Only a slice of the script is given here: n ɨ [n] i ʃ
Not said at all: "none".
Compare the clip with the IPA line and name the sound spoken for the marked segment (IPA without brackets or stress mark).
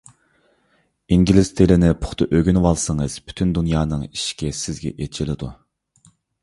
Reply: ŋ